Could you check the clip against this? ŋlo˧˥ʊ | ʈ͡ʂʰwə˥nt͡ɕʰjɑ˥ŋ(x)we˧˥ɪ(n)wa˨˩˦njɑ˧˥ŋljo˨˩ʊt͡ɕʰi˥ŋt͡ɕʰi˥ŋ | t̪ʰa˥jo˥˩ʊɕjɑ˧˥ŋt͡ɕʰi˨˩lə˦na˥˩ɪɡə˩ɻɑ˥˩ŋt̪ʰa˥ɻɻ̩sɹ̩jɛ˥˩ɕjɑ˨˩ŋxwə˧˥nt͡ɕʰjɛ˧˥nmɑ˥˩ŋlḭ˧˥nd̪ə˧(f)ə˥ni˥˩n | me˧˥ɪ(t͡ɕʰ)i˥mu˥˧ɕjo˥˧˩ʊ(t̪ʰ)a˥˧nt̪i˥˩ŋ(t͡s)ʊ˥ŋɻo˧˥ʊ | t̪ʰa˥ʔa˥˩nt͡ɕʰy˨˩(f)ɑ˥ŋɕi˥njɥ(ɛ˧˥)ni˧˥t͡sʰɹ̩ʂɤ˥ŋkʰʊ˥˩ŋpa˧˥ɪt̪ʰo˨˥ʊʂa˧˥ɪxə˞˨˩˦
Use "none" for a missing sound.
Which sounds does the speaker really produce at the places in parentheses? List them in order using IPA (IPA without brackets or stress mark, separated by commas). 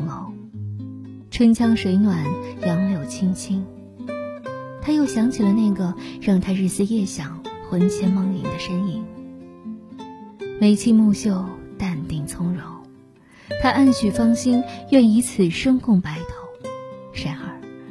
ʂ, n, ʂ, t͡ɕʰ, t̪, t͡sʰ, f, ɛ˥˩